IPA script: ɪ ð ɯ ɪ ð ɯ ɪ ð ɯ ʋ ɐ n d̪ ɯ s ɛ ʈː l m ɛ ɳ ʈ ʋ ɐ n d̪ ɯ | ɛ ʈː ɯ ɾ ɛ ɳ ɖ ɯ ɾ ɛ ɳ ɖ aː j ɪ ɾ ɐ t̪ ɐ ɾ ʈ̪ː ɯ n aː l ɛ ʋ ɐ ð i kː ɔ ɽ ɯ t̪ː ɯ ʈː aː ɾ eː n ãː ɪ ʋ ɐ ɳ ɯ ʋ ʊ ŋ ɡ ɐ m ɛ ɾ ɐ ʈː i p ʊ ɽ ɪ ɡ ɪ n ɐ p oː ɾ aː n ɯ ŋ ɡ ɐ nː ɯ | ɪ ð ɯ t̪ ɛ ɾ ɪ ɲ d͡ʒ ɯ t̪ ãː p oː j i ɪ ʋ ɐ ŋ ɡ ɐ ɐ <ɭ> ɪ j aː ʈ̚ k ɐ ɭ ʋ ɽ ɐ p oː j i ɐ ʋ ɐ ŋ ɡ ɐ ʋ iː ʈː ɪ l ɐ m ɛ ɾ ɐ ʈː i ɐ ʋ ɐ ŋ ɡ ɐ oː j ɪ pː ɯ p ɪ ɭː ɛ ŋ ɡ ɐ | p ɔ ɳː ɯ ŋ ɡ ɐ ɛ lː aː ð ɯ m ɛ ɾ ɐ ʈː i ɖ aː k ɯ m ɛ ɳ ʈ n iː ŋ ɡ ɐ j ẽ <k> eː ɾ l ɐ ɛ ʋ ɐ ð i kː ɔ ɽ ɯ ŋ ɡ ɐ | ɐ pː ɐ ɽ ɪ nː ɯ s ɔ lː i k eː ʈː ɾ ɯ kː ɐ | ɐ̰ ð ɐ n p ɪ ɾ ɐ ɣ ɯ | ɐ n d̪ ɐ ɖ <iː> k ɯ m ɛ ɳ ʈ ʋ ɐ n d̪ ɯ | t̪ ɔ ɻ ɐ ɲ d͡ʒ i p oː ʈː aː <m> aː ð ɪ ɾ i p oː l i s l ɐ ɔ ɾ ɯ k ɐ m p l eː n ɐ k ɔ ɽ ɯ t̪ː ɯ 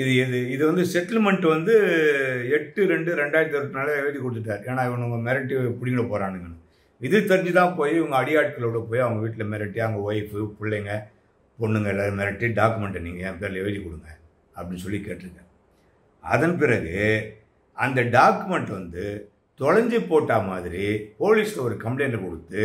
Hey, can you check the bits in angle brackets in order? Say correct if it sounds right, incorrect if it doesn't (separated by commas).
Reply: incorrect, incorrect, incorrect, correct